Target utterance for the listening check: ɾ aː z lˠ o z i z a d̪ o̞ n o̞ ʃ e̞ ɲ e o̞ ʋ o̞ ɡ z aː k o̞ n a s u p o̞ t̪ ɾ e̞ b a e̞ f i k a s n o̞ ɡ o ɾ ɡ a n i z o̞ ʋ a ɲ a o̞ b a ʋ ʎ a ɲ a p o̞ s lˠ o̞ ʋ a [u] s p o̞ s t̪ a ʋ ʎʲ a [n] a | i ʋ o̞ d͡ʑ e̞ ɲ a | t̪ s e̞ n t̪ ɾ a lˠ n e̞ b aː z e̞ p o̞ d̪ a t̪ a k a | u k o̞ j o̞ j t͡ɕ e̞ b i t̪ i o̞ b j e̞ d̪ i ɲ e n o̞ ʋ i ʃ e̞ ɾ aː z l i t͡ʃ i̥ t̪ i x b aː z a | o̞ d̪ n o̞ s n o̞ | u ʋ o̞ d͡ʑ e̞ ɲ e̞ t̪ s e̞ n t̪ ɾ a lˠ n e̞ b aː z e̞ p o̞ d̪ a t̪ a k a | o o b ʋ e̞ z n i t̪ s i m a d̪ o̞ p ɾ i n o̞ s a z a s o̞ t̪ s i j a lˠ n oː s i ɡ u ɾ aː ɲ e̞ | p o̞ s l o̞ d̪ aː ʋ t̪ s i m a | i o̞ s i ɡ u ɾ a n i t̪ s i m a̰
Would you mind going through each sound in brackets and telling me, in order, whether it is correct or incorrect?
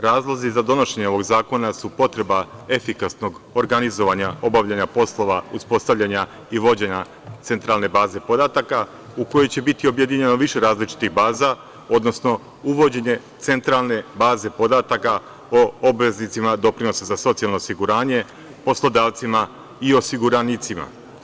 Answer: correct, incorrect: ɲ

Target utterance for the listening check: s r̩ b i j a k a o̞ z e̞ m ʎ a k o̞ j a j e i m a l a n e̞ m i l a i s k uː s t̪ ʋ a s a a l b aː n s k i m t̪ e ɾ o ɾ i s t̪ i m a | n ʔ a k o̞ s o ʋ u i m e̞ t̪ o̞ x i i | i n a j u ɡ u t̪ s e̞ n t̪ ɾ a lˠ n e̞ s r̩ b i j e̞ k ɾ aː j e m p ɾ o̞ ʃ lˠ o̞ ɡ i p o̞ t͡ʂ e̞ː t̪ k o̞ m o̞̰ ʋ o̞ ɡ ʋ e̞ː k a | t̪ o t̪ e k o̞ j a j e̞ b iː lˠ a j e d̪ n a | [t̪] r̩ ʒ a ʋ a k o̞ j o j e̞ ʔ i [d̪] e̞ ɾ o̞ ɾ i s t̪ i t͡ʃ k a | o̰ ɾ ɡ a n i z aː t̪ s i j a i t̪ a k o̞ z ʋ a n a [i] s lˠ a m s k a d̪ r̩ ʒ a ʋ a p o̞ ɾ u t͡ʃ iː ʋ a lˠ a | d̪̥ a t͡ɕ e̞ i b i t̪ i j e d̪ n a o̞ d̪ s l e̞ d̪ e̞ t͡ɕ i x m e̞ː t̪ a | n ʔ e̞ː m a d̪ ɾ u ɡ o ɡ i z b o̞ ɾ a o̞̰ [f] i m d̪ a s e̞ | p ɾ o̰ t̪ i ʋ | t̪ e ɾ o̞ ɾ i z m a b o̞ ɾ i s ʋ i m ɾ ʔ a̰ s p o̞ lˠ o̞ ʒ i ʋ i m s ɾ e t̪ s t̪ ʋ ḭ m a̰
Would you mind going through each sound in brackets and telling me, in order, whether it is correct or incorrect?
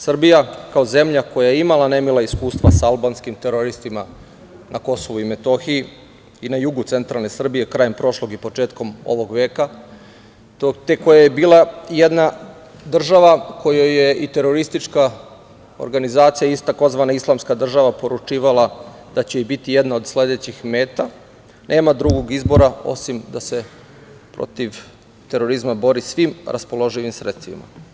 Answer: incorrect: d̪, incorrect: t̪, correct, incorrect: s

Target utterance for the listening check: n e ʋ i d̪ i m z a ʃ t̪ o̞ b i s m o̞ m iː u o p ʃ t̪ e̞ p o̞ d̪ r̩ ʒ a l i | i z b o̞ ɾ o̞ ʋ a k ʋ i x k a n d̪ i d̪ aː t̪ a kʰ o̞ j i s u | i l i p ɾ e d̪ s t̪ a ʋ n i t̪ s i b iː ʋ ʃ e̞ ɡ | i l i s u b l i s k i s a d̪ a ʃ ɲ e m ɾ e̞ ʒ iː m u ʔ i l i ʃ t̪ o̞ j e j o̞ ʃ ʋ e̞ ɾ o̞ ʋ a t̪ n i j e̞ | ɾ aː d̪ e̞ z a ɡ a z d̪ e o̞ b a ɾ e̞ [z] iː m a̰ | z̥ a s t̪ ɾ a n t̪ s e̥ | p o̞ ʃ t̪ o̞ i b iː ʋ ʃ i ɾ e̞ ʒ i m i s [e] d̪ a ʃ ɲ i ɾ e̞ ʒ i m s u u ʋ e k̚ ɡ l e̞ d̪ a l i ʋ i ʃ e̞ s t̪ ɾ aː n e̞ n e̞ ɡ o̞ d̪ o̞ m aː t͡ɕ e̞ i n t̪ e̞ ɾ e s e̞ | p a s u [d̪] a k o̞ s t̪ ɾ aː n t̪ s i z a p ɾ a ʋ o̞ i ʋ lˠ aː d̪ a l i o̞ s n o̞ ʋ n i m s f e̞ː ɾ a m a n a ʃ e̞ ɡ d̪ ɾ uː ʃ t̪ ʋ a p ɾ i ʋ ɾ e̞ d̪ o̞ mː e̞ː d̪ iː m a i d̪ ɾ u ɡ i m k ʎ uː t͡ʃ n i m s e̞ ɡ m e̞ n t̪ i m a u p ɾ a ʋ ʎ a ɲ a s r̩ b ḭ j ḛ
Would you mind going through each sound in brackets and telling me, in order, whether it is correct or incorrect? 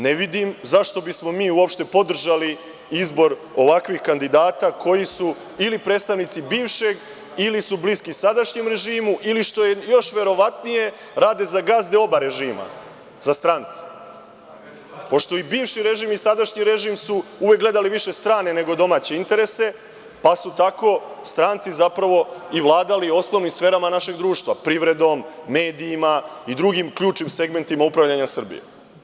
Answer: incorrect: ʒ, incorrect: a, incorrect: t̪

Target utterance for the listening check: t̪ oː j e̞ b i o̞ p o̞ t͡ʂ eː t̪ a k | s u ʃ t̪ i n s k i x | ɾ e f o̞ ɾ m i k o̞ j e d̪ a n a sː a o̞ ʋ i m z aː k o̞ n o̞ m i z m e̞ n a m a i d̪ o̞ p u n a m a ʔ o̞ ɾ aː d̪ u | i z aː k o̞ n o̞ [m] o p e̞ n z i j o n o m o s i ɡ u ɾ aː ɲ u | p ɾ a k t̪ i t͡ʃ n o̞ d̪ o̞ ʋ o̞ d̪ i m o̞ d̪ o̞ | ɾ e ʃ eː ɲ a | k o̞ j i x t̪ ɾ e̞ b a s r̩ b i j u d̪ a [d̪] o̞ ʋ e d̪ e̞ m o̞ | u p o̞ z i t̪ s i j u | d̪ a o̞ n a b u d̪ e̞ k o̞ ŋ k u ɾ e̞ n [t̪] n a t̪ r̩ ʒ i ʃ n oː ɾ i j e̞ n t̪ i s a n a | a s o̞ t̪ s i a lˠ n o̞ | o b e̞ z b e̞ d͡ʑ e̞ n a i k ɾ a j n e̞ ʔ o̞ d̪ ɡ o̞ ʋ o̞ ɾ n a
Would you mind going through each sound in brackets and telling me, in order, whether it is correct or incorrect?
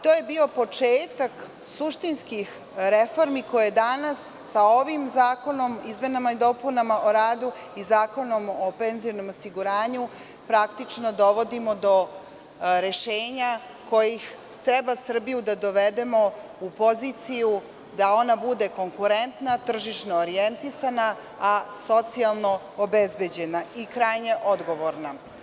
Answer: correct, correct, correct

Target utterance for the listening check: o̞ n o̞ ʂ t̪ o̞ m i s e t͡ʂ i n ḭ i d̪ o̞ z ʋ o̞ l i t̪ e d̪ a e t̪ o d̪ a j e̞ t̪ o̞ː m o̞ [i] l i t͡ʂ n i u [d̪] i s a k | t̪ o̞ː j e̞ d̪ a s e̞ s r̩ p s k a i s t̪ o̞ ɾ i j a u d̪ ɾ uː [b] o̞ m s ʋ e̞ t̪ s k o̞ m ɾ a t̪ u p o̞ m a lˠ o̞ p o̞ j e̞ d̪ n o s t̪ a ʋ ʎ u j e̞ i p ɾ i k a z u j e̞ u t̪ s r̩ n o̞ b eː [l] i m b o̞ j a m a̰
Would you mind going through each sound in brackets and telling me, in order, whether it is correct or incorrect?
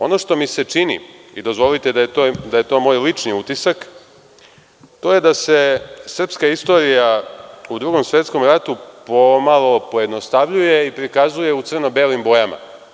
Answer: incorrect: j, incorrect: t̪, incorrect: ɡ, correct

